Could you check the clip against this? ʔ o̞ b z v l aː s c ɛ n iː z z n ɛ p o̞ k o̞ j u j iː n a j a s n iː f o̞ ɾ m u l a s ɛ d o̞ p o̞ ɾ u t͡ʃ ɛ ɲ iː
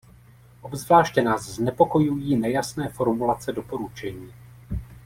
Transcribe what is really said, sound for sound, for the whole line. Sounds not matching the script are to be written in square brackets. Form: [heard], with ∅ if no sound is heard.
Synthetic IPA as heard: ʔ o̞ b z v l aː [ʃ] c ɛ n [aː] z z n ɛ p o̞ k o̞ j u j iː n [ɛ] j a s n [ɛː] f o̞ ɾ m u l a [t͡s] ɛ d o̞ p o̞ ɾ u t͡ʃ ɛ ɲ iː